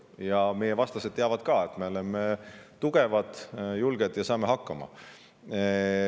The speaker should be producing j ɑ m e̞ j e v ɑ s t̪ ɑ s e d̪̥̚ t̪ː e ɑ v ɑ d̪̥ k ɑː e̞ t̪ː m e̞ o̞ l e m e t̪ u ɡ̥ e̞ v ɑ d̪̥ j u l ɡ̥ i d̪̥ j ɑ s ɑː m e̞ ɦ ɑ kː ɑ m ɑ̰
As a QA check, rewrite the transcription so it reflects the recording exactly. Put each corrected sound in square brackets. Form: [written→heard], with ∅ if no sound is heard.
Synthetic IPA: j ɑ m e̞ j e v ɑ s t̪ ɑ s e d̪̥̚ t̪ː e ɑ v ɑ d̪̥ k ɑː e̞ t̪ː m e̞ o̞ l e m e t̪ u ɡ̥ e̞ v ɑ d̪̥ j u l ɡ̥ [i→e] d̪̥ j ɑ s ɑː m e̞ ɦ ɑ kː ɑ m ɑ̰